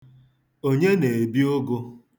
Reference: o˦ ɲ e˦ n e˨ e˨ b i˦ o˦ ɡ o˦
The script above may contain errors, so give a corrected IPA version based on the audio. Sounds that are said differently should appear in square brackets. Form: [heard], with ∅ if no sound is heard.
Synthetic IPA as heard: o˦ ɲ e˦ n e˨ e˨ b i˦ o˦ ɡ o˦